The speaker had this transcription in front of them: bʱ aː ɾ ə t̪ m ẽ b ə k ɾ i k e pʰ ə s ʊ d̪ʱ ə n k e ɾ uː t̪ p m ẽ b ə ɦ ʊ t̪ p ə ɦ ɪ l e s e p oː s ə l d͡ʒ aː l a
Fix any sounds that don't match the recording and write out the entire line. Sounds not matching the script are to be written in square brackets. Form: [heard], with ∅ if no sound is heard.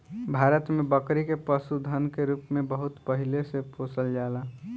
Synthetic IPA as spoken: bʱ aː ɾ ə t̪ m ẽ b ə k ɾ i k e [p] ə s [u] d̪ʱ ə n k e ɾ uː [∅] p m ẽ b ə ɦ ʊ t̪ p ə ɦ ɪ l e s e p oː s ə l d͡ʒ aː l a